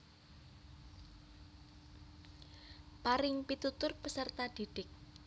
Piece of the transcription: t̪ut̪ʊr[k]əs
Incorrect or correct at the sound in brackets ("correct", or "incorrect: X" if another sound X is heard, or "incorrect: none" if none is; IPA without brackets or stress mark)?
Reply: incorrect: p